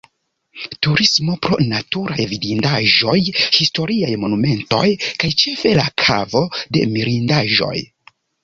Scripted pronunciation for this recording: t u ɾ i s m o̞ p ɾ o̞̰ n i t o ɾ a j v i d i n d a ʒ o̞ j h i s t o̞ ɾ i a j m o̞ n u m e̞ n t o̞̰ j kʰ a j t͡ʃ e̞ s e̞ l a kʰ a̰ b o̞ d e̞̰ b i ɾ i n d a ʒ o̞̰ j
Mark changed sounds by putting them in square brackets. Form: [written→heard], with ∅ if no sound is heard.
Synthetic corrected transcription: t u ɾ i s m o̞ p ɾ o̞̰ n [i→a] t [o→u] ɾ a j v i d i n d a ʒ o̞ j h i s t o̞ ɾ i a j m o̞ n u m e̞ n t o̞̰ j [kʰ→k] a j t͡ʃ e̞ [s→f] e̞ l a kʰ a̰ [b→v] o̞ d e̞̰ [b→m] i ɾ i n d a ʒ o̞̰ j

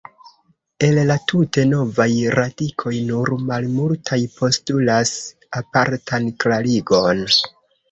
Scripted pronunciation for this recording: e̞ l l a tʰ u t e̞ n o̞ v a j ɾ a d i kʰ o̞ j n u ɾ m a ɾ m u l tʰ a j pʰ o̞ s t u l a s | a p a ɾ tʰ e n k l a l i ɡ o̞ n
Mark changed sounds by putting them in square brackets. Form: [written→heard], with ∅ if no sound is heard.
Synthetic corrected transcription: e̞ l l a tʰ u t e̞ n o̞ v a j ɾ a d i kʰ o̞ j n u ɾ m a [ɾ→l] m u l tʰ a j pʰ o̞ s t u l a s | a p a ɾ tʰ [e→a] n k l a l i ɡ o̞ n

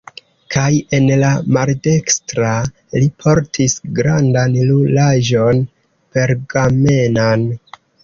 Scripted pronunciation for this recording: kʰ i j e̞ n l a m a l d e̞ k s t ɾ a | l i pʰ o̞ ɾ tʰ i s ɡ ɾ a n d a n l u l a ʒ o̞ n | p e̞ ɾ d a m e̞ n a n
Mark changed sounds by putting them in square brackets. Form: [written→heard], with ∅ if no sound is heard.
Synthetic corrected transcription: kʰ [i→a] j e̞ n l a m a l d e̞ k s t ɾ a | l i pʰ o̞ ɾ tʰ i s ɡ ɾ a n d a n l u l a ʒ o̞ n | p e̞ ɾ [d→ɡ] a m e̞ n a n

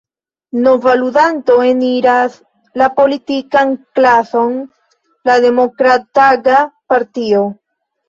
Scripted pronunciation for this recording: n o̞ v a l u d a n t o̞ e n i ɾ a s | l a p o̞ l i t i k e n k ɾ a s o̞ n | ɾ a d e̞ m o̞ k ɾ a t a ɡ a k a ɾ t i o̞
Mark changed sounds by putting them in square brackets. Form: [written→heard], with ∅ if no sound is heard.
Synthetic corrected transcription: n o̞ v a l u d a n t o̞ e n i ɾ a s | l a p o̞ l i t i k [e→a] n k [ɾ→l] a s o̞ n | [ɾ→l] a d e̞ m o̞ k ɾ a t a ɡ a [k→p] a ɾ t i o̞

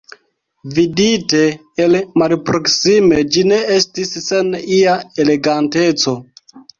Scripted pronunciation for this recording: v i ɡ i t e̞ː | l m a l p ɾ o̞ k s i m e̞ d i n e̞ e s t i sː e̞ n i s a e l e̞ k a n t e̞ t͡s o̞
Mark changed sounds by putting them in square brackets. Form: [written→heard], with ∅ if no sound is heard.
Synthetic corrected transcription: v i [ɡ→d] i t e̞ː | l m a l p ɾ o̞ k s i m e̞ [d→d͡ʒ] i n e̞ e s t i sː e̞ n i [s→∅] a e l e̞ [k→ɡ] a n t e̞ t͡s o̞

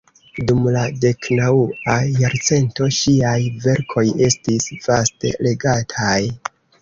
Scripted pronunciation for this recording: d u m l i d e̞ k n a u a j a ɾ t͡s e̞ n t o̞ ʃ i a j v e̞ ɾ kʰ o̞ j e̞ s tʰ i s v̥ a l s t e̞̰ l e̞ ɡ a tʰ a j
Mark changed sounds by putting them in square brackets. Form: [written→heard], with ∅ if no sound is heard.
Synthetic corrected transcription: d u m l [i→a] d e̞ k n a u a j a ɾ t͡s e̞ n t o̞ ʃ i a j v e̞ ɾ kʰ o̞ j e̞ s [tʰ→t] i s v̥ a [l→∅] s t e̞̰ l e̞ ɡ a tʰ a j

